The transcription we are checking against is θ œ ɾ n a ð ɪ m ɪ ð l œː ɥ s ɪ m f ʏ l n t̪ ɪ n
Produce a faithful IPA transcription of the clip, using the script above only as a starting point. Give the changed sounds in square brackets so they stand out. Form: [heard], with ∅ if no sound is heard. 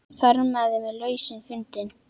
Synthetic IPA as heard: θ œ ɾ [m] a ð ɪ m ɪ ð l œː ɥ s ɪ [n] f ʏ [∅] n t̪ ɪ n